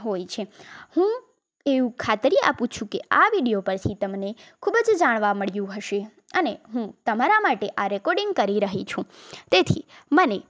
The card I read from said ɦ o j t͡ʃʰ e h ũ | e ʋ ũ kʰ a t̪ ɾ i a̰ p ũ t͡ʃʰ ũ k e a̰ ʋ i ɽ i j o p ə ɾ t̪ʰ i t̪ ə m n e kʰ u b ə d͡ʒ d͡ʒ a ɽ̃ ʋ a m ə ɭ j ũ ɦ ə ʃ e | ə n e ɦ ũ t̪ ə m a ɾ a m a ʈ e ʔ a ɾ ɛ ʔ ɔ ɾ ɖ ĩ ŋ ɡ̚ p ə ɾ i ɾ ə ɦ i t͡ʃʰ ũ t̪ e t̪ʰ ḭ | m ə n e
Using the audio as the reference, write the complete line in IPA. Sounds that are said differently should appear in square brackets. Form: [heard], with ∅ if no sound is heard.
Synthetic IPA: ɦ o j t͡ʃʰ e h ũ | e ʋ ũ kʰ a t̪ ɾ i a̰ p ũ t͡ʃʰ ũ k e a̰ ʋ i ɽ i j o p ə ɾ t̪ʰ i t̪ ə m n e kʰ u b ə d͡ʒ d͡ʒ a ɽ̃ ʋ a m ə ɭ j ũ ɦ ə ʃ e | ə n e ɦ ũ t̪ ə m a ɾ a m a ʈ e ʔ a ɾ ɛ [k] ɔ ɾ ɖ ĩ ŋ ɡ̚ [k] ə ɾ i ɾ ə ɦ i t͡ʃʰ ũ t̪ e t̪ʰ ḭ | m ə n e